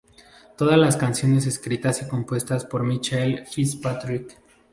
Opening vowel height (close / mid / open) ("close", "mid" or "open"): mid